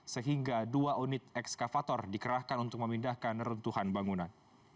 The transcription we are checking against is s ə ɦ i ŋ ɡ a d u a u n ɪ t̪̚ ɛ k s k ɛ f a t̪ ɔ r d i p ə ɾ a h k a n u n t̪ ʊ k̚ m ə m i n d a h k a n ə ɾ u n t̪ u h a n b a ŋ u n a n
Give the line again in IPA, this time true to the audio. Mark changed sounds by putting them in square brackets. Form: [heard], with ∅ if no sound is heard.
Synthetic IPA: s ə ɦ i ŋ ɡ a d u a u n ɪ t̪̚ ɛ k s k [a] f a t̪ ɔ r d i [k] ə ɾ a h k a n u n t̪ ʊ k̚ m ə m i n d a h k a n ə ɾ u n t̪ u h a n b a ŋ u n a n